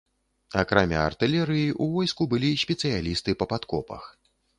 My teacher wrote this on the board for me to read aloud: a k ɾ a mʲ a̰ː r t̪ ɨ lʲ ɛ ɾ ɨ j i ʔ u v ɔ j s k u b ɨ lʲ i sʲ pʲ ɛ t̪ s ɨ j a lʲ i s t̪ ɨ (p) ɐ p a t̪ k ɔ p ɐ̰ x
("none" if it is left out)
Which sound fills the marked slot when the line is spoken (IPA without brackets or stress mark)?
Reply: p